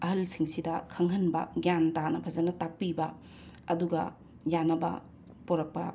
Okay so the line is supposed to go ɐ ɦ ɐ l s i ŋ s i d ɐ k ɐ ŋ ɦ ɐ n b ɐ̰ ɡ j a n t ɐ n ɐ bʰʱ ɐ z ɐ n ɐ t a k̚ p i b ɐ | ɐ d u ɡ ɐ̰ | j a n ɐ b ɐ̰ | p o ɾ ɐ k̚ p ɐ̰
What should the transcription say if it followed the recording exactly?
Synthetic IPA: ɐ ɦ ɐ l s i ŋ s i d ɐ kʰ ɐ ŋ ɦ ɐ n b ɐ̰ ɡ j a n t a n ɐ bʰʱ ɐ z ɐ n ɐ t a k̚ p i b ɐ | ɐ d u ɡ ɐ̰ | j a n ɐ b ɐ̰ | p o ɾ ɐ k̚ p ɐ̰

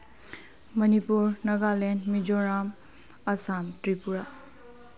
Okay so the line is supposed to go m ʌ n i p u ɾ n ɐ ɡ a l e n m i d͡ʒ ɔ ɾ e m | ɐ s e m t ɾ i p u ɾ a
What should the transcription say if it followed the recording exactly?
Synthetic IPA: m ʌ n i p u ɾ n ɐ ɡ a l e n m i d͡ʒ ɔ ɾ a m | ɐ s a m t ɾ i p u ɾ a

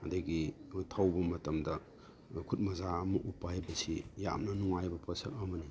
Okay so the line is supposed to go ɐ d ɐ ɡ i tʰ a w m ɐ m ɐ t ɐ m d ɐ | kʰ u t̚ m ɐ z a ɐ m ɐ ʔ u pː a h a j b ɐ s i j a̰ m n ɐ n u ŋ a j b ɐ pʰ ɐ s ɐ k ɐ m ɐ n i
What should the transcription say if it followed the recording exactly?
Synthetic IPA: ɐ d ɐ ɡ i tʰ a w b ɐ m ɐ t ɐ m d ɐ | kʰ u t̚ m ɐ z a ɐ m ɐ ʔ u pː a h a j b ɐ s i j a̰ m n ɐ n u ŋ a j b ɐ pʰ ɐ s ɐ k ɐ m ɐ n i

